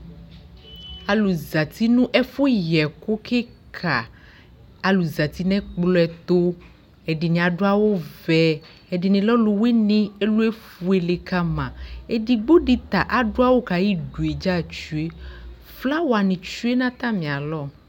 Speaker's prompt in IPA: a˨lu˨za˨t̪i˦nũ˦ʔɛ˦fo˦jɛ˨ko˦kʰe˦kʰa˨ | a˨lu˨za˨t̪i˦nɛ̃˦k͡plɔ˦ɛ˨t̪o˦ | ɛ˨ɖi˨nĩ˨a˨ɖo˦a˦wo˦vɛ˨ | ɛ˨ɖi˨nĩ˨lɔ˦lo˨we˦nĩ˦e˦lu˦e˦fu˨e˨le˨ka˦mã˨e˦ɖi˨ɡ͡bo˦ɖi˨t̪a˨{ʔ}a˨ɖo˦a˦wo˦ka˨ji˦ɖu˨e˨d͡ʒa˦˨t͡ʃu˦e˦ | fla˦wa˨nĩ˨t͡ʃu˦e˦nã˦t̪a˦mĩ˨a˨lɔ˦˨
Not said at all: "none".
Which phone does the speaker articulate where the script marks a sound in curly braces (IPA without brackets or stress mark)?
ʔ